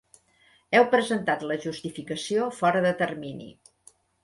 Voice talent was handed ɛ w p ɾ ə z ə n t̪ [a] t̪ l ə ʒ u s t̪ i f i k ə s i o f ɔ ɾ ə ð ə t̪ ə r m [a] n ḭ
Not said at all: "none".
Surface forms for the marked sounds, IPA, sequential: a, i

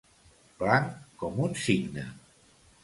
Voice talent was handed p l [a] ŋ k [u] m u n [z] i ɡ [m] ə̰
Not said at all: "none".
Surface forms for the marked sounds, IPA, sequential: a, ɔ, s, n

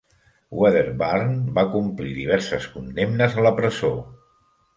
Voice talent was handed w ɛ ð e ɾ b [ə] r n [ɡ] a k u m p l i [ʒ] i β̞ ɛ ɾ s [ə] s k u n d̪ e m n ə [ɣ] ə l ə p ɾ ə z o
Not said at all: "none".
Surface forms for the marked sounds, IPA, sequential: a, b, ð, ə, z

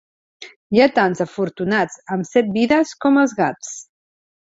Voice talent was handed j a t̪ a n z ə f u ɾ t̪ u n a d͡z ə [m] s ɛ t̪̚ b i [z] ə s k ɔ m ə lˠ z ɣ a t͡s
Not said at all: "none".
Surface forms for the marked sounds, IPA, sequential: m, ð

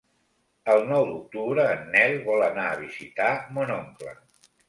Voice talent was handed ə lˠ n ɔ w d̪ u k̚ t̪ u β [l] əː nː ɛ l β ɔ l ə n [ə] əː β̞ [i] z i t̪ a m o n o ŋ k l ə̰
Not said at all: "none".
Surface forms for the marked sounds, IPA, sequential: ɾ, a, i

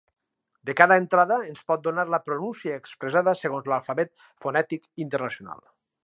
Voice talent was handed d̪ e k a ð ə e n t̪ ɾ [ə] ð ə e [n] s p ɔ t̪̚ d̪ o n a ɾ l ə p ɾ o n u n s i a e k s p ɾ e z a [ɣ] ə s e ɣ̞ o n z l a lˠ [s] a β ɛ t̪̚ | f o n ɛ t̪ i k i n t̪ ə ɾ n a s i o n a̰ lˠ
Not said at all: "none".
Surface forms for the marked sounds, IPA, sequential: a, n, ð, f

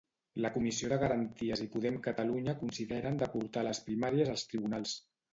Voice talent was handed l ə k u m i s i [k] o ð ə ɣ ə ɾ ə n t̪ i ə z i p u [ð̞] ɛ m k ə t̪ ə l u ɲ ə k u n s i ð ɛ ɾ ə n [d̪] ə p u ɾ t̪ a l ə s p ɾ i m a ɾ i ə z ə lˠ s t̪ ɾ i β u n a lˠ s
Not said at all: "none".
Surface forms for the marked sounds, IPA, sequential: none, ð̞, d̪

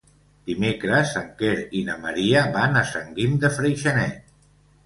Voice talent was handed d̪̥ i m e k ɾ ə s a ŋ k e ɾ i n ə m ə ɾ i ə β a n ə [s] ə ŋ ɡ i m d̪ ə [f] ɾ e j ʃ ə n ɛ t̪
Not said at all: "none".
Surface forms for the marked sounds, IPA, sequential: s, f

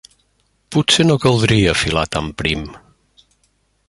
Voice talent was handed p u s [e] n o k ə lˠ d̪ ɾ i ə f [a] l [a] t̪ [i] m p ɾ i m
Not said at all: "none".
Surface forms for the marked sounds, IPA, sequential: e, i, a, a

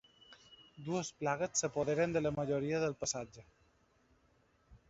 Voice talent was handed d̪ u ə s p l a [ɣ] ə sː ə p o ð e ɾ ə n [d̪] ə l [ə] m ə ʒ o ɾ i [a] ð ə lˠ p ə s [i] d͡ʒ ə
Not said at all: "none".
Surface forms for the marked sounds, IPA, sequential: ɣ, d̪, ə, ə, a

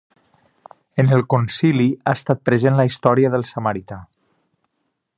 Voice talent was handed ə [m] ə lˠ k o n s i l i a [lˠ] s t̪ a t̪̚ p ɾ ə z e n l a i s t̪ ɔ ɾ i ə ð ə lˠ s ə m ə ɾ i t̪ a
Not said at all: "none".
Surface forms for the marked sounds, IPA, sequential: n, none

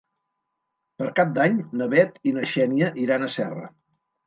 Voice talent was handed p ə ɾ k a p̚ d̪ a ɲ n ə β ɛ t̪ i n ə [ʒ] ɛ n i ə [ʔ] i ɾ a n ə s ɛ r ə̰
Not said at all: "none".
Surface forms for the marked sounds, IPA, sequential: ʃ, ʔ

